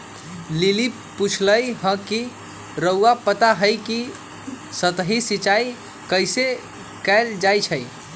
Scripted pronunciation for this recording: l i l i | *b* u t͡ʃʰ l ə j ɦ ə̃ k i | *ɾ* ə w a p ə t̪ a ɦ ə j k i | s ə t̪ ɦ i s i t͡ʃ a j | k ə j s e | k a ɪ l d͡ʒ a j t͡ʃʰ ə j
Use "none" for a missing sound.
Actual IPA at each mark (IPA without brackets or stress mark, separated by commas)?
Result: p, ɾ